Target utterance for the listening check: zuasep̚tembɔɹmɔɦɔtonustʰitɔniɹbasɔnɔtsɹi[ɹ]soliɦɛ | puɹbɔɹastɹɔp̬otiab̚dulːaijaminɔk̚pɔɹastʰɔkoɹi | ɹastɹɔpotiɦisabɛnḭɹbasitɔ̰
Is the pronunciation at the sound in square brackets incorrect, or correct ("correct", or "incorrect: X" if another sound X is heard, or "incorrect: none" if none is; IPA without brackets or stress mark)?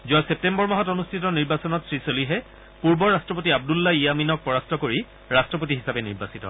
incorrect: none